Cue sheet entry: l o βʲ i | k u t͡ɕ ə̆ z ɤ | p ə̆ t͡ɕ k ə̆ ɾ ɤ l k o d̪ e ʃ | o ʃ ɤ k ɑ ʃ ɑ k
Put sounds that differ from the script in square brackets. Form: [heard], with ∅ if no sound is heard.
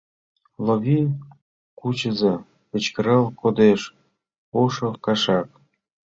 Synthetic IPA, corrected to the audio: l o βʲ i | k u t͡ɕ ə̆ z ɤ | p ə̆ t͡ɕ k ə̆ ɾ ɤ l k o d̪ e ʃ | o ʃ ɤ k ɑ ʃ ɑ k